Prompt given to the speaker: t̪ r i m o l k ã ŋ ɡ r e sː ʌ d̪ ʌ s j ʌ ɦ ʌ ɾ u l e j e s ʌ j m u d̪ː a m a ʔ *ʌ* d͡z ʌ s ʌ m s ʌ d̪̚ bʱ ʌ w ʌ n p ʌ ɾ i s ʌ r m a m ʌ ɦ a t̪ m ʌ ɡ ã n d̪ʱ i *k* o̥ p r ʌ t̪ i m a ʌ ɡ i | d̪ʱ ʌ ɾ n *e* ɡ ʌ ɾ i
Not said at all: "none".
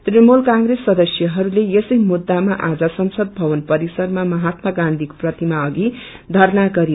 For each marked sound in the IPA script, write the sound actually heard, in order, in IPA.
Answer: a, k, a

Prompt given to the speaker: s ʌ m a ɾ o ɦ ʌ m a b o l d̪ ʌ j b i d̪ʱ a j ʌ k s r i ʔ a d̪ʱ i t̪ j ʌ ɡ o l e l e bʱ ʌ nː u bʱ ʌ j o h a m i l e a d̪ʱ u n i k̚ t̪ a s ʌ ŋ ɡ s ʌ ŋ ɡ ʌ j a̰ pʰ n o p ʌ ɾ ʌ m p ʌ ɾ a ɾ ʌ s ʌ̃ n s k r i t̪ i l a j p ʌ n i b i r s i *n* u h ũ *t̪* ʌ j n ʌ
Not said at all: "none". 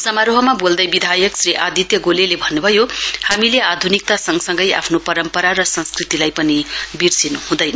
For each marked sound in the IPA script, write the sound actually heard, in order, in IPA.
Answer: n, d̪

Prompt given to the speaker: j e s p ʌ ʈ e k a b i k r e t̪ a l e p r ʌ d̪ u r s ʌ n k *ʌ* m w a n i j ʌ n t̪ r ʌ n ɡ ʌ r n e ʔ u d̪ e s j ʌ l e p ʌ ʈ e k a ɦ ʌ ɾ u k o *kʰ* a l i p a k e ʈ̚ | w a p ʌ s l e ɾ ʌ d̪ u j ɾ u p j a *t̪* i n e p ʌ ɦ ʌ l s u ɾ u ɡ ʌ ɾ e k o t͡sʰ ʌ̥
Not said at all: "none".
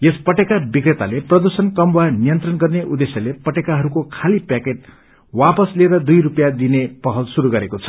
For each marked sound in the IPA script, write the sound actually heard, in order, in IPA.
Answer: ʌ, kʰ, d̪

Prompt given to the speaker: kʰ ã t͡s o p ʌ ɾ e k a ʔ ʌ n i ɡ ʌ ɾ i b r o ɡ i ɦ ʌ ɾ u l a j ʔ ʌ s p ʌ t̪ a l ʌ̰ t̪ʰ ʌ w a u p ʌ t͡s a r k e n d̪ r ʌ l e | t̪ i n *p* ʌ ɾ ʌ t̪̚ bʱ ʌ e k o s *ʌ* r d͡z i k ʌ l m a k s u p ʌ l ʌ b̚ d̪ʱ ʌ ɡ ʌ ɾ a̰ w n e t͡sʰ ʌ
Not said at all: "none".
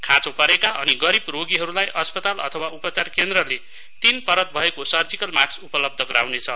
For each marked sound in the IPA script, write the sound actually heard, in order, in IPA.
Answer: p, ʌ

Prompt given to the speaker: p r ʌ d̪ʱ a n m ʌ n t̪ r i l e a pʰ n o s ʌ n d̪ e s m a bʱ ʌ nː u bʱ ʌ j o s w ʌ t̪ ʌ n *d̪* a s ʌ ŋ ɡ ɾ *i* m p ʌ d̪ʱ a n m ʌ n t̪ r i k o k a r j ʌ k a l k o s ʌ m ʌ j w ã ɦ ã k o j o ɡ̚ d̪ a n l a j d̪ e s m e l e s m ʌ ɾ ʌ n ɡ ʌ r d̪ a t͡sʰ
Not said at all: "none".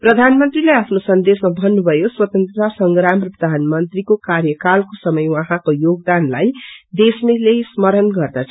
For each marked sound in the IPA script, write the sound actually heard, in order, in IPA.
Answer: t̪, a

